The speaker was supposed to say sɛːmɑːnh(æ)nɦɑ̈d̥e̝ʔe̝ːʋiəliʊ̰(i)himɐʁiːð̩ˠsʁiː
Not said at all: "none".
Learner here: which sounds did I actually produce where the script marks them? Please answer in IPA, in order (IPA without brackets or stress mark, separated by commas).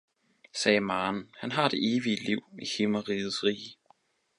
æ, i